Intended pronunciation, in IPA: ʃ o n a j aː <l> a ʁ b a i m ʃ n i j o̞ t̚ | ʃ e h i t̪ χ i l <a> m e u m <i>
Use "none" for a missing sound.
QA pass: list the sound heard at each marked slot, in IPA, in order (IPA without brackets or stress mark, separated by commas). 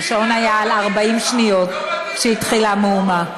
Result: l, a, a